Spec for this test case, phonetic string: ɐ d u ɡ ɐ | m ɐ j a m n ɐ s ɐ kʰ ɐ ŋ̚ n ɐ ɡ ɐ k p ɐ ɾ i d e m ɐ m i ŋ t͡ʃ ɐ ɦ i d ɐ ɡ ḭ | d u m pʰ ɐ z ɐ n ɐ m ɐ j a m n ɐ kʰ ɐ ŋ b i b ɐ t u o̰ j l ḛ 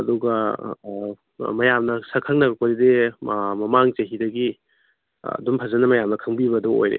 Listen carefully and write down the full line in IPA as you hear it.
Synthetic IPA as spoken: ɐ d u ɡ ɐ | m ɐ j a m n ɐ s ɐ kʰ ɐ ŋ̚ n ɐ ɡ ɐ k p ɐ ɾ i d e m ɐ m a ŋ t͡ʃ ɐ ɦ i d ɐ ɡ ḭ | d u m pʰ ɐ z ɐ n ɐ m ɐ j a m n ɐ kʰ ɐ ŋ b i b ɐ d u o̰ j ɾ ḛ